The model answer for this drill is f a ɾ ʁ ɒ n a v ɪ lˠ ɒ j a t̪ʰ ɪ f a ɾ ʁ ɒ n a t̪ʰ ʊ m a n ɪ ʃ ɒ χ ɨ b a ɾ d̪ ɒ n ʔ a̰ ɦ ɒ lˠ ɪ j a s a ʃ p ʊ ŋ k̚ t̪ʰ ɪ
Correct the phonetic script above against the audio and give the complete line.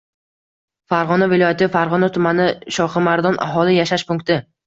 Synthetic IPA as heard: f a ɾ ʁ ɒ n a v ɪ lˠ ɒ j a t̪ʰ ɪ f a ɾ ʁ ɒ n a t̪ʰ ʊ m a n ɪ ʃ ɒ χ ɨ m a ɾ d̪ ɒ n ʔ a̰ ɦ ɒ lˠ ɪ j a ʃ a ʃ p ʊ ŋ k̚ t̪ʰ ɪ

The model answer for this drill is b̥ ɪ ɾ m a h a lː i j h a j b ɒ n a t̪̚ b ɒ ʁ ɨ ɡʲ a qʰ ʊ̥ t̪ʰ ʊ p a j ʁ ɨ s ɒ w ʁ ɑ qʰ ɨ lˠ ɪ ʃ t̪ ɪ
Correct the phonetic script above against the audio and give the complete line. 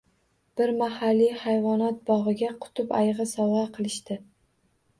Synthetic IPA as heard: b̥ ɪ ɾ m a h a lː i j h a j v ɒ n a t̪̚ b ɒ ʁ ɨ ɡʲ a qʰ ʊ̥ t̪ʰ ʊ p a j ʁ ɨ s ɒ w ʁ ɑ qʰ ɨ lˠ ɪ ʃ t̪ ɪ

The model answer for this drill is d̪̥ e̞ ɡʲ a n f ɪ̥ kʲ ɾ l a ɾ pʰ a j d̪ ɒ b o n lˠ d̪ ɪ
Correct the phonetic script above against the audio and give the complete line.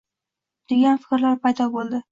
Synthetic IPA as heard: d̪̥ e̞ ɡʲ a n f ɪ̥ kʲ ɾ l a ɾ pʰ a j d̪ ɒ b o lˠ d̪ ɪ

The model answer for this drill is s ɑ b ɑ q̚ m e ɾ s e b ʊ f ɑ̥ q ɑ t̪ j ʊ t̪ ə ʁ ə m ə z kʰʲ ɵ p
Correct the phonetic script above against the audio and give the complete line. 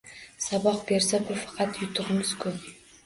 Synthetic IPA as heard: s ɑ b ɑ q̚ b e ɾ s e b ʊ f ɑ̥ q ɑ t̪ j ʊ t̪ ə ʁ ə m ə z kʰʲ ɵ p

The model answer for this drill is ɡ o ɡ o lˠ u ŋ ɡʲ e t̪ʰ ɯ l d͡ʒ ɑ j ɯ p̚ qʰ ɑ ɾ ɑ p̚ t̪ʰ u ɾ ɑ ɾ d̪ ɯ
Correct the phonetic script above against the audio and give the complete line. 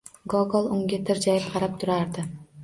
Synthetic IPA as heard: ɡ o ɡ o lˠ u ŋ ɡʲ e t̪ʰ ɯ ɾ d͡ʒ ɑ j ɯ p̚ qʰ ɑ ɾ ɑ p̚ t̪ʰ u ɾ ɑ ɾ d̪ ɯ

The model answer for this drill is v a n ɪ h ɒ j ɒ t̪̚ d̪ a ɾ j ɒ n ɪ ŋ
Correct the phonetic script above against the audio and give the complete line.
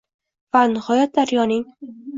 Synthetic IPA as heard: v a n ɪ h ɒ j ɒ t̪̚ d̪ a ɾ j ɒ n ɪ ŋ

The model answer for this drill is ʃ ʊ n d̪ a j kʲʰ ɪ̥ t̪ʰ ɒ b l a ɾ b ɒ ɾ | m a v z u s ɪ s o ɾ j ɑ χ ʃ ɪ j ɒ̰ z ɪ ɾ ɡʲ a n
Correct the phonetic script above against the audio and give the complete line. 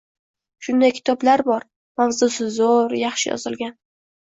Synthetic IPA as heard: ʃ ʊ n d̪ a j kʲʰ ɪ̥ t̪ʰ ɒ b l a ɾ b ɒ ɾ | m a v z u s ɪ z o ɾ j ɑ χ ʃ ɪ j ɒ̰ z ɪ l ɡʲ a n

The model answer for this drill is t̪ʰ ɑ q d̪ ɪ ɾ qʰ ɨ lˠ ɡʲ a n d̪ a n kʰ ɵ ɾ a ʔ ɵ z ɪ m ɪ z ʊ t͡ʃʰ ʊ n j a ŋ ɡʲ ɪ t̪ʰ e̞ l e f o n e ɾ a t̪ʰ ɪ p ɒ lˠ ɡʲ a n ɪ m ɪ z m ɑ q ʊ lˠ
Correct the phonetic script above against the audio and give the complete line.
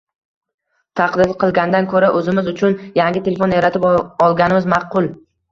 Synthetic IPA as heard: t̪ʰ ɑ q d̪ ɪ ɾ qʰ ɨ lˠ ɡʲ a n d̪ a n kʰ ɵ ɾ a ʔ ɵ z ɪ m ɪ z ʊ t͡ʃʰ ʊ n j a ŋ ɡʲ ɪ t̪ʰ e̞ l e f o n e ɾ a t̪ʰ ɪ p ɒ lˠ ɡʲ a n ɪ m ɪ z m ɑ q ʊ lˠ

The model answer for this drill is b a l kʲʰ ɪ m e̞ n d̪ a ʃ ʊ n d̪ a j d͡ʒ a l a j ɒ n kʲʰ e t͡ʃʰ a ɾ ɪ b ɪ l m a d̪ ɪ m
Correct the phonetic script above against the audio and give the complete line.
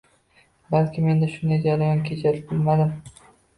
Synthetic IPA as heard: b a l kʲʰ ɪ m e̞ n d̪ a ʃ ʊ n d̪ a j d͡ʒ a ɾ a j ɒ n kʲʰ e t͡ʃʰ a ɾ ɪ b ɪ l m a d̪ ɪ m

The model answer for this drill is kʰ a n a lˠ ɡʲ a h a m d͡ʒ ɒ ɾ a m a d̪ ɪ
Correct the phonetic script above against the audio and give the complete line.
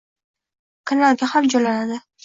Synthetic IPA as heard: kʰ a n a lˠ ɡʲ a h a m d͡ʒ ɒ l a n a d̪ ɪ

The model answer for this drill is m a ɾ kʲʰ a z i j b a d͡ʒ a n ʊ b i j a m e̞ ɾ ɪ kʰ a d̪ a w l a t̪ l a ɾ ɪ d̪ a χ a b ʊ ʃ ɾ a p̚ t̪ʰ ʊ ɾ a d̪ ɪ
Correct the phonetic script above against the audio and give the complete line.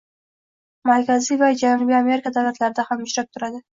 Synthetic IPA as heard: m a ɾ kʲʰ a z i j v a d͡ʒ a n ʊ b i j a m e̞ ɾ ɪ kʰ a d̪ a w l a t̪ l a ɾ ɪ d̪ a h a m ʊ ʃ ɾ a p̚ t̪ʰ ʊ ɾ a d̪ ɪ

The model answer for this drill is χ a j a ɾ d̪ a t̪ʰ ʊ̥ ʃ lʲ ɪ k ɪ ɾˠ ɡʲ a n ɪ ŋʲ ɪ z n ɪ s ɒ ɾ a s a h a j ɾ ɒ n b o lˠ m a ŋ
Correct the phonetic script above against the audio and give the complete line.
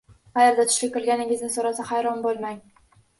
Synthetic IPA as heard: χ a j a ɾ d̪ a t̪ʰ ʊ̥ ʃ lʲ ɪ k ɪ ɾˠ ɡʲ a n ɪ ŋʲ ɪ z n ɪ s o ɾ a s a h a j ɾ ɒ n b o lˠ m a ŋ

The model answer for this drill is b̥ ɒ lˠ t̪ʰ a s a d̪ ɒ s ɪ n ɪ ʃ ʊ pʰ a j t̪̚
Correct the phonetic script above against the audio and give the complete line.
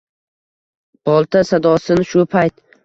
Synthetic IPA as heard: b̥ ɒ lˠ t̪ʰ a s a d̪ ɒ s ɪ n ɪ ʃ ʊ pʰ a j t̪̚

